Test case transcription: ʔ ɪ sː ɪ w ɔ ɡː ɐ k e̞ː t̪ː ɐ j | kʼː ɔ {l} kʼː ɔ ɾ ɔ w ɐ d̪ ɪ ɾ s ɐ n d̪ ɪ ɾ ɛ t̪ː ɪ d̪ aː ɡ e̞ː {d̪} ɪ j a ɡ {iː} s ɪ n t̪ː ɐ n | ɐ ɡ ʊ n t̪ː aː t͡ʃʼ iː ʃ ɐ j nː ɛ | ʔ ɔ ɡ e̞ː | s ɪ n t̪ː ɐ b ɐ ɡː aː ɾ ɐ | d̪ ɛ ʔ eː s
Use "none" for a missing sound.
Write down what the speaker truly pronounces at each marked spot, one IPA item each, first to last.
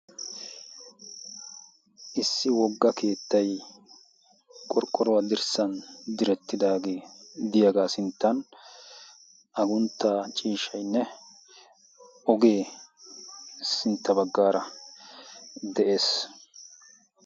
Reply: ɾ, d̪, aː

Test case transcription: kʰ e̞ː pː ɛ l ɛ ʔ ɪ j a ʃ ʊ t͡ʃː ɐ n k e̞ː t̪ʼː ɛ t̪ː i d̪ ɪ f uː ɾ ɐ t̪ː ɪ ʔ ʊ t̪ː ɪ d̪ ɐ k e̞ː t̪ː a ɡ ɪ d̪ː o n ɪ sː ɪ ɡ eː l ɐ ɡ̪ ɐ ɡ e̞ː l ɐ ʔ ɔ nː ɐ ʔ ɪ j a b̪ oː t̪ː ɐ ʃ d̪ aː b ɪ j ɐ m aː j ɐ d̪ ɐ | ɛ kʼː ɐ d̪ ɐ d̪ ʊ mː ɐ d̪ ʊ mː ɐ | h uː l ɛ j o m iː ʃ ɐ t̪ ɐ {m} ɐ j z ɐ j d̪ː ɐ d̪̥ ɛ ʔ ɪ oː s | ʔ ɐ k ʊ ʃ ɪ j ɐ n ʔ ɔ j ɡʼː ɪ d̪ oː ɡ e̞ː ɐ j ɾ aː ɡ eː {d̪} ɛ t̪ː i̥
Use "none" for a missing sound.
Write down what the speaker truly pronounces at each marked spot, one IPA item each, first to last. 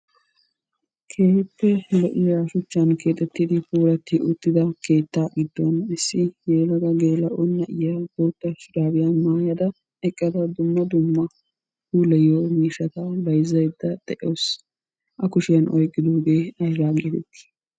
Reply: b, t̪

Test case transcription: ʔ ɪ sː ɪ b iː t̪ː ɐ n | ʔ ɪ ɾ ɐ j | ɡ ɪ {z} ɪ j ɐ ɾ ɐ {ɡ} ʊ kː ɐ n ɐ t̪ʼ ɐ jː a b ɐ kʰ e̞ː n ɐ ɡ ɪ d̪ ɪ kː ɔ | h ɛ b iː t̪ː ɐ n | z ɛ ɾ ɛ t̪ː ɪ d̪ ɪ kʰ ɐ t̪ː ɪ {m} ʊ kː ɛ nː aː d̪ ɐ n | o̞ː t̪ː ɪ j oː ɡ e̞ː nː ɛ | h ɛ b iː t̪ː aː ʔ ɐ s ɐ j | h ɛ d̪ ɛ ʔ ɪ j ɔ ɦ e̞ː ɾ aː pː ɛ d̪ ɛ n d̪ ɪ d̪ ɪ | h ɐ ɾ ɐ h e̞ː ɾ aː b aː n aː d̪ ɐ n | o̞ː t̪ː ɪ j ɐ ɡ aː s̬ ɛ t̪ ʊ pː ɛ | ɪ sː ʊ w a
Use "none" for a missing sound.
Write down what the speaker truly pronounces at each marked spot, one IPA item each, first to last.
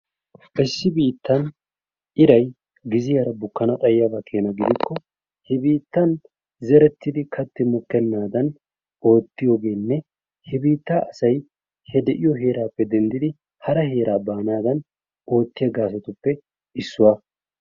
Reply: z, b, m

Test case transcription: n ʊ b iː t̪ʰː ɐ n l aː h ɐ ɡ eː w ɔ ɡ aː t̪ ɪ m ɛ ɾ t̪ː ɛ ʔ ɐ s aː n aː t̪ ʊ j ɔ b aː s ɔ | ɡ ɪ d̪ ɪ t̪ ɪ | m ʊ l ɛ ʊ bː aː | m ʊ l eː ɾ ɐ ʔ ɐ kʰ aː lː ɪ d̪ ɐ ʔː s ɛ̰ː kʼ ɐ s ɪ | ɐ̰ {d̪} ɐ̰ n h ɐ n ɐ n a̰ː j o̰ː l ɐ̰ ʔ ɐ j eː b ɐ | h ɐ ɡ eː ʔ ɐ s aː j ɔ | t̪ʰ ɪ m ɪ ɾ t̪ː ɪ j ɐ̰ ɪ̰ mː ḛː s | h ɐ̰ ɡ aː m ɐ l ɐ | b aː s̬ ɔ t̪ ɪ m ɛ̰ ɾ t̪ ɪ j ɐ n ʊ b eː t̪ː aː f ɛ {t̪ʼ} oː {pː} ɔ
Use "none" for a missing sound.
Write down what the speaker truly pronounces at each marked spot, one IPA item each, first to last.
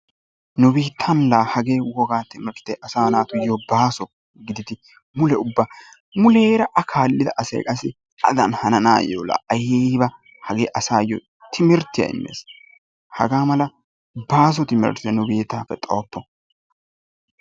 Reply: d̪, t̪ʼ, pː

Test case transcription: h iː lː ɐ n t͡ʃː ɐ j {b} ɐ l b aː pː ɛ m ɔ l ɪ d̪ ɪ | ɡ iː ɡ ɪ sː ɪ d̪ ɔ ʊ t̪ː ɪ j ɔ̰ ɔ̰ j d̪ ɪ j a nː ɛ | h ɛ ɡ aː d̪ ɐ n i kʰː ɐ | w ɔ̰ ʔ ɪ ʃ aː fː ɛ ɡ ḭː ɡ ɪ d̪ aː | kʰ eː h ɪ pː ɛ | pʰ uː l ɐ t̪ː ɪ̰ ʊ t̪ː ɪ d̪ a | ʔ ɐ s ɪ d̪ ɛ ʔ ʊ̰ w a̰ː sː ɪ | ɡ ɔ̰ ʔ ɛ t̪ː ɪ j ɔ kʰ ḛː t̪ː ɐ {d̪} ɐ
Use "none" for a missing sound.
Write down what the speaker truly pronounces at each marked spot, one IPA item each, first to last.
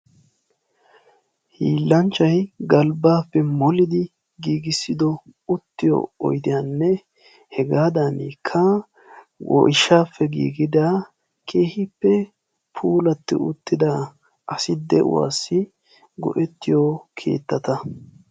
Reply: ɡ, t̪

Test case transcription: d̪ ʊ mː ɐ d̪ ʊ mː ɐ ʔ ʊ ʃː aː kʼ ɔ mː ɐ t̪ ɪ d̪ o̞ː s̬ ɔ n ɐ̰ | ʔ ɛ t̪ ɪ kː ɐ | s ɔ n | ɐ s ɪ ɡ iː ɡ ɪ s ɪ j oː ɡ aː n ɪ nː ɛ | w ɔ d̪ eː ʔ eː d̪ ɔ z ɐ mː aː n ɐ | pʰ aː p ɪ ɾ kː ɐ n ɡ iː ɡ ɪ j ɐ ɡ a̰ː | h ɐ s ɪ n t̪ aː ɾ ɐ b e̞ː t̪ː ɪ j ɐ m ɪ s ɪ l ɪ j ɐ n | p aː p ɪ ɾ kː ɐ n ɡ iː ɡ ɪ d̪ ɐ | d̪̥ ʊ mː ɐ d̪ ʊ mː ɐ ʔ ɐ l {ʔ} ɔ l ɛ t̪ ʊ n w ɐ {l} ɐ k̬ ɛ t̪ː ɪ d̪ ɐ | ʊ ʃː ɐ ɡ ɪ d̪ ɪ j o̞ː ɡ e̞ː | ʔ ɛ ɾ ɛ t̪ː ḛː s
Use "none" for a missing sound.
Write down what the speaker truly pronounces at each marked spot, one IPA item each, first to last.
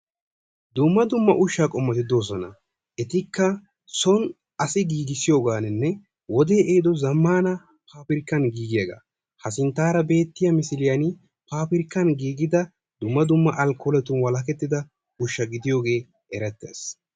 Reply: k, l

